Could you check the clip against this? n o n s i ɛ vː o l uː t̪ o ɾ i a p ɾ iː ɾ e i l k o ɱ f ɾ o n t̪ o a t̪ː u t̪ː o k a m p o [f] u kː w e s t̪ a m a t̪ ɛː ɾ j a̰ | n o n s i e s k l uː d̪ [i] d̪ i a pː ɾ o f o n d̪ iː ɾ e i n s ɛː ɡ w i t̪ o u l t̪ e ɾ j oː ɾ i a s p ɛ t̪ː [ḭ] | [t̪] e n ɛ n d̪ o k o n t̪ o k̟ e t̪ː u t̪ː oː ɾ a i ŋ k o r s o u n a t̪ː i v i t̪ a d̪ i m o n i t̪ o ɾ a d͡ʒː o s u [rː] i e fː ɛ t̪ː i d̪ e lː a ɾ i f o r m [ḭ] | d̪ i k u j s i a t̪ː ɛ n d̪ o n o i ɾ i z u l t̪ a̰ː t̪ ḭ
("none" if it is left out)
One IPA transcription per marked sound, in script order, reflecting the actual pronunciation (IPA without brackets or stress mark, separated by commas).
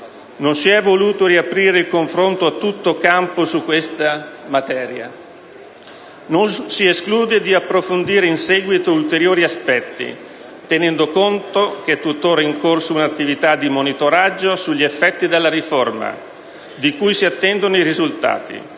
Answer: s, e, ḭ, t̪, ʎː, a̰